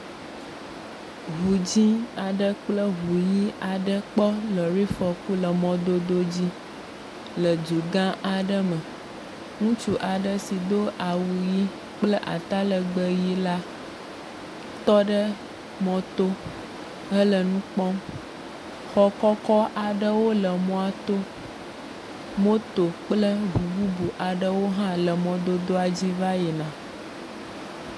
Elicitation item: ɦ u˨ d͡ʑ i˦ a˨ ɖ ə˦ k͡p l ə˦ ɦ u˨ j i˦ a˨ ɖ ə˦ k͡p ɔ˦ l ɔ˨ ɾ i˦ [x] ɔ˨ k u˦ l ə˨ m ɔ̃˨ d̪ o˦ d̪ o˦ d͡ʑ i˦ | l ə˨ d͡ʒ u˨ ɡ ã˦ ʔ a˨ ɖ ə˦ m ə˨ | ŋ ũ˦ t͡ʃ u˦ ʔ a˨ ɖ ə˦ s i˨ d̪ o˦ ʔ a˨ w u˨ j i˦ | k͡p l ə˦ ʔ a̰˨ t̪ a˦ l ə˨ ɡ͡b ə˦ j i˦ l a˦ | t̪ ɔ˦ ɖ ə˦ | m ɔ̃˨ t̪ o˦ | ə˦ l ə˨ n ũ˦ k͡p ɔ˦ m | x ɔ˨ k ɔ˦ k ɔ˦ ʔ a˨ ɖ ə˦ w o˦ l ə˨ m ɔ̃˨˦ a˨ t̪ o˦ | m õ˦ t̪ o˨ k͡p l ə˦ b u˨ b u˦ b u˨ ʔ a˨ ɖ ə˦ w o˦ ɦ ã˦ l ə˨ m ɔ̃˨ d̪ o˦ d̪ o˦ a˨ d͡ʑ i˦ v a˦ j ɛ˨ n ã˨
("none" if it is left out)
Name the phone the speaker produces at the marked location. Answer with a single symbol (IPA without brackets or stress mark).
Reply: f